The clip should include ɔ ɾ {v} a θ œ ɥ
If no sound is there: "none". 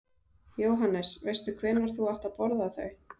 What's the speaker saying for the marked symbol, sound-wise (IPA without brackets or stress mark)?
ð